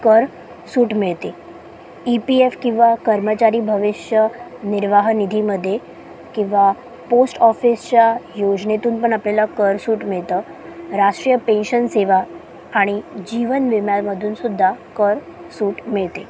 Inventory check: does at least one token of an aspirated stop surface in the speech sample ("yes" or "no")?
no